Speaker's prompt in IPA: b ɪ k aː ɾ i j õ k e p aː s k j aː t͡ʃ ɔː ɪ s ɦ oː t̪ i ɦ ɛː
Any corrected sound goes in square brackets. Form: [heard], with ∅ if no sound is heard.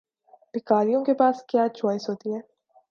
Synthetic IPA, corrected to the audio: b ɪ k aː ɾ i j õ k e p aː s k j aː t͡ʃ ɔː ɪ s ɦ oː t̪ i ɦ ɛː